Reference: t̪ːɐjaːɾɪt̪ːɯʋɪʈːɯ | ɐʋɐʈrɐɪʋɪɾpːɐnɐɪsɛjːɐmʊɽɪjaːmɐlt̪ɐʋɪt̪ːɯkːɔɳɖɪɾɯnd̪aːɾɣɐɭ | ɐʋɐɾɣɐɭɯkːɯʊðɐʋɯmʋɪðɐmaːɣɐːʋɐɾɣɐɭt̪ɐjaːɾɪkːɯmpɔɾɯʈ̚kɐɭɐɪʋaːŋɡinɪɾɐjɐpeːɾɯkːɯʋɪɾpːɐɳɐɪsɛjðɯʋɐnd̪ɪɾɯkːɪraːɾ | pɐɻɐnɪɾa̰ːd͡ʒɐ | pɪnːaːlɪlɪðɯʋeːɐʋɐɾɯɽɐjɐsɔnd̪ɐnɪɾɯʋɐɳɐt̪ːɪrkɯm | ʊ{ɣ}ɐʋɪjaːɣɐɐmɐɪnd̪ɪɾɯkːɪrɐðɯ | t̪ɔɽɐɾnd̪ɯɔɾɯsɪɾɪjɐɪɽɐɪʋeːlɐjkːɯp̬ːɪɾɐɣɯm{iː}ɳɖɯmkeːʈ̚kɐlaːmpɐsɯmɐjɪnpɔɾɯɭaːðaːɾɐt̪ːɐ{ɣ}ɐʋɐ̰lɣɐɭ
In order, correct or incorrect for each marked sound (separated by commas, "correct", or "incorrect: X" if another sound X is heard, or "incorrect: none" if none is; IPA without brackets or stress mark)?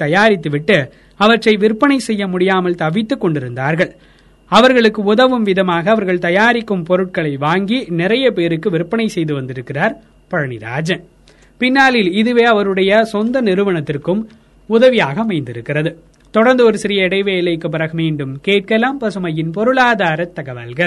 incorrect: ð, correct, correct